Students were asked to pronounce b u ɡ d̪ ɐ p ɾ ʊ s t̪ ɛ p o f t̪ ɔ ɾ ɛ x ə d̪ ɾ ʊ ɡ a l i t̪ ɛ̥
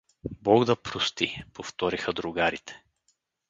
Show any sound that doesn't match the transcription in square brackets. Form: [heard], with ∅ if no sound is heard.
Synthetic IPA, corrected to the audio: b [ɔ] ɡ d̪ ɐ p ɾ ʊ s t̪ [i] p o f t̪ ɔ ɾ [i] x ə d̪ ɾ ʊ ɡ a [ɾ] i t̪ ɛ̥